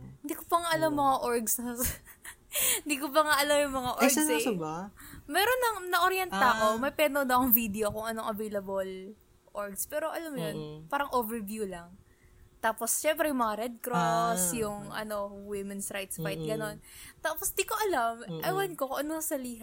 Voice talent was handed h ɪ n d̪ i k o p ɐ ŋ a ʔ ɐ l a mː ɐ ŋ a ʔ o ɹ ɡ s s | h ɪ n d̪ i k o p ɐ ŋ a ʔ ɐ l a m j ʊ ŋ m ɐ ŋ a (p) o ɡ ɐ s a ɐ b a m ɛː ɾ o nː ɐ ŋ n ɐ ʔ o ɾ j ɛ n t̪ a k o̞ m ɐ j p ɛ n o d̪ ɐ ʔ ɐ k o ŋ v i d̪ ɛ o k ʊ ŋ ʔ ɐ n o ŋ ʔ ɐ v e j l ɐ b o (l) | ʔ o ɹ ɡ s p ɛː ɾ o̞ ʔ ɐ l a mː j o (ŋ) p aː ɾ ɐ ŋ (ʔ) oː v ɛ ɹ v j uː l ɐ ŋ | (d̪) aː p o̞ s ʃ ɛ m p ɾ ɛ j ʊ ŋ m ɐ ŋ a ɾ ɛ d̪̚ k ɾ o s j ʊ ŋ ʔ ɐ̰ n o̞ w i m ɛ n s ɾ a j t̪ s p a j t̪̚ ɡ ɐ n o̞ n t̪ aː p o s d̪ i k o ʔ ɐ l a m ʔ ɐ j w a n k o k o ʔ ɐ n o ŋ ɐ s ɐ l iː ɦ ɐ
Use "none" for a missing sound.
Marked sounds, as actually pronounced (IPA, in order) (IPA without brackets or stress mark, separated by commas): ʔ, l, n, ʔ, t̪